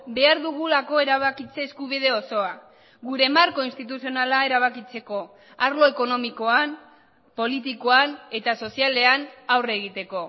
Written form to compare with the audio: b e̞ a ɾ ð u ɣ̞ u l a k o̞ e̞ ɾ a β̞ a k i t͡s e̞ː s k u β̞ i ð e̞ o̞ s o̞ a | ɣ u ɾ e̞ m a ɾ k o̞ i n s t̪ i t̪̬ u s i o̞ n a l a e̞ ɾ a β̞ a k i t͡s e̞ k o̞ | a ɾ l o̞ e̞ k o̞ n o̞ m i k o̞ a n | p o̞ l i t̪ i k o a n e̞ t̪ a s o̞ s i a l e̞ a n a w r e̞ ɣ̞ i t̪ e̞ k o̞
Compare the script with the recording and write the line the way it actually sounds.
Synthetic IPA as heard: b e̞ a ɾ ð u ɣ̞ u l a k o̞ e̞ ɾ a β̞ a k i t͡s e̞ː s k u β̞ i ð e̞ o̞ s o̞ a | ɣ u ɾ e̞ m a ɾ k o̞ i n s t̪ i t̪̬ u s i o̞ n a l a e̞ ɾ a β̞ a k i t͡s e̞ k o̞ | a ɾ l o̞ e̞ k o̞ n o̞ m i k o̞ a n | p o̞ l i t̪ i k o a n e̞ t̪ a s o̞ s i a l e̞ a n a w r e̞ ɣ̞ i t̪ e̞ k o̞